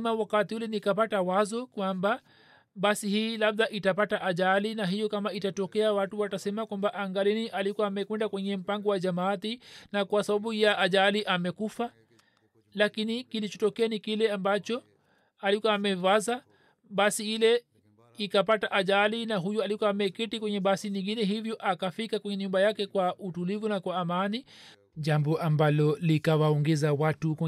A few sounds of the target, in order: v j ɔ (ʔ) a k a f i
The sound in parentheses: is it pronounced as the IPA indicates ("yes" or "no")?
yes